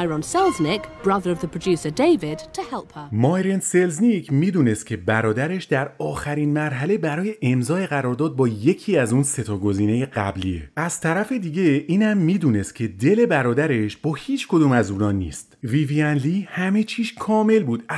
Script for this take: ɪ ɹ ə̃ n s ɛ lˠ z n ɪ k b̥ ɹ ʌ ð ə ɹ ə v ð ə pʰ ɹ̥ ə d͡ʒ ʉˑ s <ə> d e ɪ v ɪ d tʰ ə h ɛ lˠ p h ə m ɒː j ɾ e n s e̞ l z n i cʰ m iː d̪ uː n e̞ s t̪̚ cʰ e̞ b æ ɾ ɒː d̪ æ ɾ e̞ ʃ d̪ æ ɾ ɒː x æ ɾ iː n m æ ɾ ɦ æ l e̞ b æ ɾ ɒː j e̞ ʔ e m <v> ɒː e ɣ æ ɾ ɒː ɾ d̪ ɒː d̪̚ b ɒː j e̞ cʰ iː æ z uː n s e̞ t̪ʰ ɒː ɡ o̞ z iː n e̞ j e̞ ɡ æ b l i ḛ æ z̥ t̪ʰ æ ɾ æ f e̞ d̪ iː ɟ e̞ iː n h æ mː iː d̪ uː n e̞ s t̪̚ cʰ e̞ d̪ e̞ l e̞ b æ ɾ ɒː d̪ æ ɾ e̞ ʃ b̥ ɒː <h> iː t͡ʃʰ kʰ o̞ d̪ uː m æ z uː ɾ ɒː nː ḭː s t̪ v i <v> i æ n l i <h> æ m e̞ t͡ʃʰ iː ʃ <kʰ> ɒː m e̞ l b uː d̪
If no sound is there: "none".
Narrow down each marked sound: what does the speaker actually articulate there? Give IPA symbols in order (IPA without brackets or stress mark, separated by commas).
ə, z, h, v, h, kʰ